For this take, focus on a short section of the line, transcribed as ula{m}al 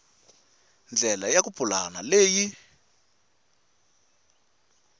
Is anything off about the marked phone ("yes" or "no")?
yes